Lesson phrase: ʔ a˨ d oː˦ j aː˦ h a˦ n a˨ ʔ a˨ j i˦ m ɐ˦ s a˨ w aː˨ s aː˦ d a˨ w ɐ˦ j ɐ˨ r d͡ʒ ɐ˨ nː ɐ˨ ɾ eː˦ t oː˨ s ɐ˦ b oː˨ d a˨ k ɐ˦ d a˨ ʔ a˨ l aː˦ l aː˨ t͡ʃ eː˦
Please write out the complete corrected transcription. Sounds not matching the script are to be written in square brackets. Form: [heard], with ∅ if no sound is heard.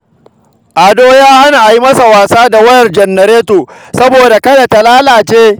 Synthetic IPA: ʔ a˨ d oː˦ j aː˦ h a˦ n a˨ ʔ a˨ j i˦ m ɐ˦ s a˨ w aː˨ s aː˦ d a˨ w ɐ˦ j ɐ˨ r d͡ʒ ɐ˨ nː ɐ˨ ɾ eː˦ t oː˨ s ɐ˦ b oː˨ d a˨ k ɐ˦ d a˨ [t] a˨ l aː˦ l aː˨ t͡ʃ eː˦